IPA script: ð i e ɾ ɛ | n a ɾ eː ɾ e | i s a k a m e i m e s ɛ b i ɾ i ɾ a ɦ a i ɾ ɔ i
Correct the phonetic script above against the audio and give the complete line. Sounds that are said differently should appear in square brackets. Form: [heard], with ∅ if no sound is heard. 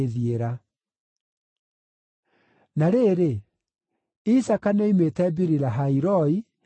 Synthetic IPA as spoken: ð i e ɾ [a] | n a ɾ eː ɾ e | i s a k a [n] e i m e [t] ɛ b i ɾ i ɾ a ɦ a i ɾ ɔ i